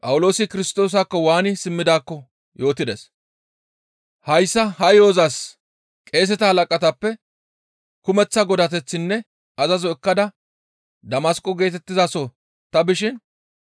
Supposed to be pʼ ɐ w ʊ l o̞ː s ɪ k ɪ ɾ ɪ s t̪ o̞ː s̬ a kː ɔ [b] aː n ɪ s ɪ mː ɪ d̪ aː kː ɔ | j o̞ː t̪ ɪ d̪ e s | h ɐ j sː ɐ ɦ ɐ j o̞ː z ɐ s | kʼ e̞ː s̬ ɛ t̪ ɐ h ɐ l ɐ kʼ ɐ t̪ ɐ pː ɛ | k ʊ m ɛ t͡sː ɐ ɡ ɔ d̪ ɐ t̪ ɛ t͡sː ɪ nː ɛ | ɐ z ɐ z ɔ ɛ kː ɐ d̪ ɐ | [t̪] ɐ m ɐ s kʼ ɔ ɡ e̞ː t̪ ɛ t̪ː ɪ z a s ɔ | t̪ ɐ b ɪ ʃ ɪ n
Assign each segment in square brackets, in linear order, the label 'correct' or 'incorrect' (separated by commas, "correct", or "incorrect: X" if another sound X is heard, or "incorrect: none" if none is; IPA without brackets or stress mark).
incorrect: w, incorrect: d̪